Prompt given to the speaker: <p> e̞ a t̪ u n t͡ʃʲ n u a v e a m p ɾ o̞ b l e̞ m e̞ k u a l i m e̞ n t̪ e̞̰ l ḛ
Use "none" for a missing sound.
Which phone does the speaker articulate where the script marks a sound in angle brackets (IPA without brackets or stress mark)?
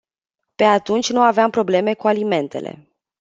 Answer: p